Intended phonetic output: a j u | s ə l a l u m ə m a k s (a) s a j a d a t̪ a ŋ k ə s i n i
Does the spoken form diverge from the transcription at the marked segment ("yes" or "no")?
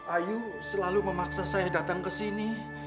no